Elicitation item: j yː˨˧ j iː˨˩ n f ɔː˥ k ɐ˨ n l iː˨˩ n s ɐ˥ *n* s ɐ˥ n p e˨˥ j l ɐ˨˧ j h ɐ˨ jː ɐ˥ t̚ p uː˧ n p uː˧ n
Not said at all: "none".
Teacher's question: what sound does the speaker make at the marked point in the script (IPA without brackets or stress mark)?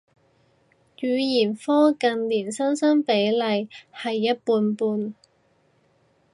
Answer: n